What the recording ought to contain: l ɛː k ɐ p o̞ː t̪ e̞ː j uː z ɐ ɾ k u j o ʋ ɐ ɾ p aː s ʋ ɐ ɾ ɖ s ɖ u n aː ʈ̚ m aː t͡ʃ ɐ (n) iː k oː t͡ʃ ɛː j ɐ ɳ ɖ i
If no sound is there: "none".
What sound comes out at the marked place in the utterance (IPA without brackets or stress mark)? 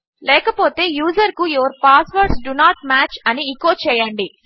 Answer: n